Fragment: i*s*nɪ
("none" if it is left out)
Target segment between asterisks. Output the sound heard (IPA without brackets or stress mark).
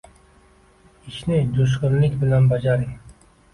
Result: ʃ